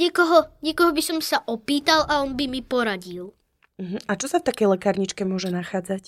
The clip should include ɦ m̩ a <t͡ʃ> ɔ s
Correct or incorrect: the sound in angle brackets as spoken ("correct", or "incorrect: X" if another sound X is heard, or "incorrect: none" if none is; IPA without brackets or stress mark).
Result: correct